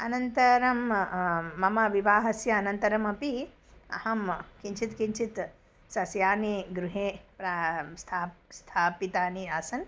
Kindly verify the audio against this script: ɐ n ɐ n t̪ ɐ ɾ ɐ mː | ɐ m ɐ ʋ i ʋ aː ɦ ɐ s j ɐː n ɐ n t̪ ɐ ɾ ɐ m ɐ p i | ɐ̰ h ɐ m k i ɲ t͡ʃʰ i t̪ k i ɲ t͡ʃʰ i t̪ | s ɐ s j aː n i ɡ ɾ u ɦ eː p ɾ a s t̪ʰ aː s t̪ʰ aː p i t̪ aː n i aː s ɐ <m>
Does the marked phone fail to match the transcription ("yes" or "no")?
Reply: yes